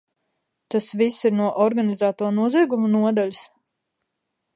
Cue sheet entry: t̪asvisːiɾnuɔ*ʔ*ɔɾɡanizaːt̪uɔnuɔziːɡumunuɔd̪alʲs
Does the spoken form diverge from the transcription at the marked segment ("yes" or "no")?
no